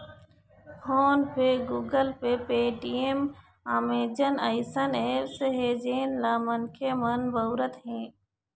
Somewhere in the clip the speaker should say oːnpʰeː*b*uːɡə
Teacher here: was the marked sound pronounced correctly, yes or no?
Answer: no